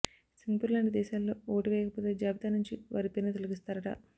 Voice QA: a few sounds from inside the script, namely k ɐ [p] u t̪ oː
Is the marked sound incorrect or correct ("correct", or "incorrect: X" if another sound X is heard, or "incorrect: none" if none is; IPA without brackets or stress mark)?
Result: correct